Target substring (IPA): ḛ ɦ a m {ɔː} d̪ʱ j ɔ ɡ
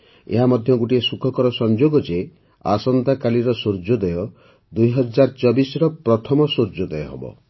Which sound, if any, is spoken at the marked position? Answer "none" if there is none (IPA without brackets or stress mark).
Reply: ɔ